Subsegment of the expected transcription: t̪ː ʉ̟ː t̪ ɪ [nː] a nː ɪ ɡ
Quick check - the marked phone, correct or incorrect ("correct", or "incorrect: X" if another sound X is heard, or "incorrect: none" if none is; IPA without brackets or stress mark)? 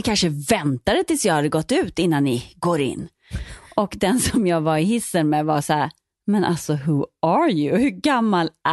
correct